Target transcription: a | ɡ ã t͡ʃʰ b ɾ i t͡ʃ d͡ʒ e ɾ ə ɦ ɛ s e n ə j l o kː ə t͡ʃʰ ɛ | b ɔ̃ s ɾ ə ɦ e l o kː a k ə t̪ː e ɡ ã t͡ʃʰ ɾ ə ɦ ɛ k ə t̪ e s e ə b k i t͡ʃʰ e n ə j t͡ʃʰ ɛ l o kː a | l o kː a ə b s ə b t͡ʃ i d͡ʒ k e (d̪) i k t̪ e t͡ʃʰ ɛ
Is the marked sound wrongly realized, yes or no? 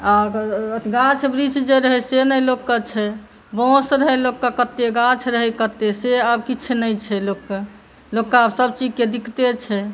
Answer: no